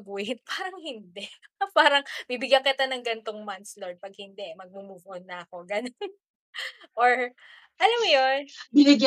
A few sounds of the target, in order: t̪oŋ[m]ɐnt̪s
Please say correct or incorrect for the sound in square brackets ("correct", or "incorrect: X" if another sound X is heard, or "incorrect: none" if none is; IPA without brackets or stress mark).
correct